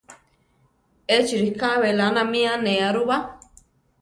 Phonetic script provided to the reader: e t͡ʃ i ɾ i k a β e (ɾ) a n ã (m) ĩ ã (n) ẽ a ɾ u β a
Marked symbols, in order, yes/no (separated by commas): no, yes, yes